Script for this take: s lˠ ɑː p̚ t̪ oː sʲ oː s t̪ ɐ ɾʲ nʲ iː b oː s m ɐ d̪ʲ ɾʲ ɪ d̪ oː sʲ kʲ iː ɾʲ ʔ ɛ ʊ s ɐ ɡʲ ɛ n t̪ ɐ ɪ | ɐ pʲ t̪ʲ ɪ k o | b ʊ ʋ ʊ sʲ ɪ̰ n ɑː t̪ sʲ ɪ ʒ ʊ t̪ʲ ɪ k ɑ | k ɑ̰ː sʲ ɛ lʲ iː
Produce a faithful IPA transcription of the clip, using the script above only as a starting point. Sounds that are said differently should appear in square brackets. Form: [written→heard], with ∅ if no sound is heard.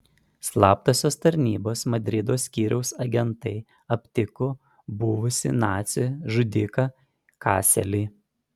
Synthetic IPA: s lˠ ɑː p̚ t̪ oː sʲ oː s t̪ ɐ ɾʲ nʲ iː b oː s m ɐ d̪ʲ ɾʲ ɪ d̪ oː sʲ kʲ iː ɾʲ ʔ ɛ ʊ s ɐ ɡʲ ɛ n t̪ ɐ ɪ | ɐ pʲ t̪ʲ ɪ k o | b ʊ ʋ ʊ sʲ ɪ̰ n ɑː t̪ sʲ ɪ ʒ ʊ [t̪ʲ→d̪ʲ] ɪ k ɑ | k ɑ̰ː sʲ ɛ lʲ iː